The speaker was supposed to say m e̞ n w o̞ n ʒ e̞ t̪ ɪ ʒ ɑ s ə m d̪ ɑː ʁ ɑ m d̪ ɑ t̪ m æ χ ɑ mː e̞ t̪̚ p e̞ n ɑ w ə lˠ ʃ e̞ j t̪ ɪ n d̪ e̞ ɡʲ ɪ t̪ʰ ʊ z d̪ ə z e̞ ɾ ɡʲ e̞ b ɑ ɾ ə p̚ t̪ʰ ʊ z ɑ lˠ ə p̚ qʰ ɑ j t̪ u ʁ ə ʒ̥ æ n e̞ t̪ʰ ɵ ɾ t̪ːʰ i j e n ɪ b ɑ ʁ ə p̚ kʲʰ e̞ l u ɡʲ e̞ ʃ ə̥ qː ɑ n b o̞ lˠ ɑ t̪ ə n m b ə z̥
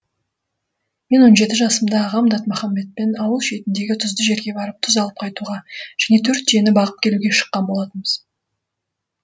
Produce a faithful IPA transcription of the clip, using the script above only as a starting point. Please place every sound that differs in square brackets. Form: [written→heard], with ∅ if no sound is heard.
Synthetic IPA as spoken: m e̞ n w o̞ n ʒ e̞ t̪ ɪ ʒ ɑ s ə m d̪ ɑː ʁ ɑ m d̪ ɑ t̪ m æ χ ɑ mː e̞ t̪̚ p e̞ n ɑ w ə lˠ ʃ e̞ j t̪ ɪ n d̪ e̞ ɡʲ ɪ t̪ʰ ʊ z d̪ ə [z→ʒ] e̞ ɾ ɡʲ e̞ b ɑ ɾ ə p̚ t̪ʰ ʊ z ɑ lˠ ə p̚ qʰ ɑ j t̪ u ʁ [ə→ɑ] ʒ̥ æ n e̞ t̪ʰ ɵ ɾ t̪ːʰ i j e n ɪ b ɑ ʁ ə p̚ kʲʰ e̞ l u ɡʲ e̞ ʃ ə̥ qː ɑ n b o̞ lˠ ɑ t̪ ə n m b ə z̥